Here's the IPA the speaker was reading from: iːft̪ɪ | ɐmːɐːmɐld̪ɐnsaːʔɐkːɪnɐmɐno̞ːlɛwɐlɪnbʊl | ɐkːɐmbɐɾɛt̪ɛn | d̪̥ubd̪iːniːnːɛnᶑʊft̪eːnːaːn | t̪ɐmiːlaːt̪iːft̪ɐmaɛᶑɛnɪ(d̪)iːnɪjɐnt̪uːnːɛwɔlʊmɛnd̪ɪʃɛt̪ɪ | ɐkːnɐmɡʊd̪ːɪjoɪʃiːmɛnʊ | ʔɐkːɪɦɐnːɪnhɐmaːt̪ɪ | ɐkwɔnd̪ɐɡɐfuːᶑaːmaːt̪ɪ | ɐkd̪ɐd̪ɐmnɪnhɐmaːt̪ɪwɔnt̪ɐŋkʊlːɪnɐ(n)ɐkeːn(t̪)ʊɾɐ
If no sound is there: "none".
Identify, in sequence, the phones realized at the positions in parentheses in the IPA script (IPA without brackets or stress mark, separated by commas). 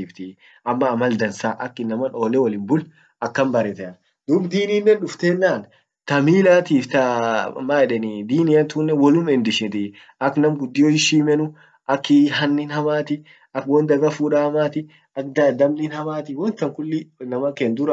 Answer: d̪, m, d̪